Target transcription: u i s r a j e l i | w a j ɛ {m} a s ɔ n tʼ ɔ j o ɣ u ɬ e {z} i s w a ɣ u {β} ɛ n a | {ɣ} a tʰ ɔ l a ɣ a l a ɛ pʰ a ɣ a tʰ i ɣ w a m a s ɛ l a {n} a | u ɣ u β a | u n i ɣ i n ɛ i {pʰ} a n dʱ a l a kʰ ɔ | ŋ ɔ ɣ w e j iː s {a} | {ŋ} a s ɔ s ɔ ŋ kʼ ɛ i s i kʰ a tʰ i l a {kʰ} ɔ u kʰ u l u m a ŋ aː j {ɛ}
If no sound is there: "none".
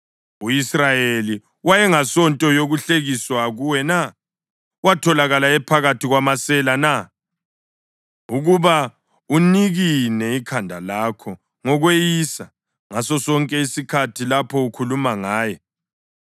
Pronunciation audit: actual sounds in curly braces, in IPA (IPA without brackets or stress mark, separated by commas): ŋ, ɣ, w, w, n, kʰ, a, ŋ, pʰ, ɛ